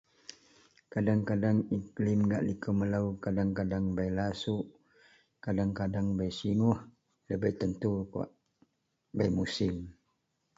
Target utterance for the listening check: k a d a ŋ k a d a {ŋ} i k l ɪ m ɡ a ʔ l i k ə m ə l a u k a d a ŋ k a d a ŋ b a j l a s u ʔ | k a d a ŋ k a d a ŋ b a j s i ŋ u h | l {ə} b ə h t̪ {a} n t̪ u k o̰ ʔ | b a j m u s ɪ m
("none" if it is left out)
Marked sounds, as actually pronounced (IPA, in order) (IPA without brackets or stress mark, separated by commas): ŋ, ə, ə